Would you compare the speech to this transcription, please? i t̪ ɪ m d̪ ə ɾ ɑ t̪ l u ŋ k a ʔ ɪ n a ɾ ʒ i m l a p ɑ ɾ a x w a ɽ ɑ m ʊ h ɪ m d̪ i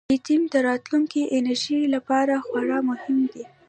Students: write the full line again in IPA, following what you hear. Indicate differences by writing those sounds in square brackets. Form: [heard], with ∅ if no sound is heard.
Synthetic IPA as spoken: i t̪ [i] m d̪ ə ɾ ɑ t̪ l u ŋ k [i] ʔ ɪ n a ɾ ʒ i [∅] l a p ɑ ɾ a x w a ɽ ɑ m ʊ h ɪ m d̪ i